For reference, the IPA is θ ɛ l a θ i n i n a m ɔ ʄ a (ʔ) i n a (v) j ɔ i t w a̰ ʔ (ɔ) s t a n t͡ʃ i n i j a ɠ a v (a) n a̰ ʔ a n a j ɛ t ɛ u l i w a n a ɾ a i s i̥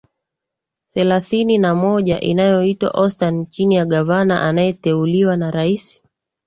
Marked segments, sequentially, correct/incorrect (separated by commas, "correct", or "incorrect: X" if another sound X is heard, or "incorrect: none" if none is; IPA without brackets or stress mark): correct, incorrect: none, correct, correct